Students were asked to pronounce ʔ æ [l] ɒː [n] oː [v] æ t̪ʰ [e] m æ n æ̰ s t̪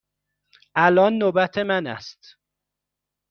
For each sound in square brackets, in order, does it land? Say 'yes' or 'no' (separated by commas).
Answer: yes, no, no, yes